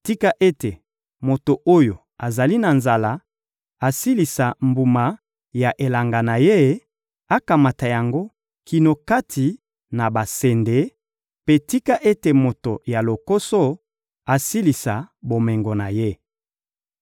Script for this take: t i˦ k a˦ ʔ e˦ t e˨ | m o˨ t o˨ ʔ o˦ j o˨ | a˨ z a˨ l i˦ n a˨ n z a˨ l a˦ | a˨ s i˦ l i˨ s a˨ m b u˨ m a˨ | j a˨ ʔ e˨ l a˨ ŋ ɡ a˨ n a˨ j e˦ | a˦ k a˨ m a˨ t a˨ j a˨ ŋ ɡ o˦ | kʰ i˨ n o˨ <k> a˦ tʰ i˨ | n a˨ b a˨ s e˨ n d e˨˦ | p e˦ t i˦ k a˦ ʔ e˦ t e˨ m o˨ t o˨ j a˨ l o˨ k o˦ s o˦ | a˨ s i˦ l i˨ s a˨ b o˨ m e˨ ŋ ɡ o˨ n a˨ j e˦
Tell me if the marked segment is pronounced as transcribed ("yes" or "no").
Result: yes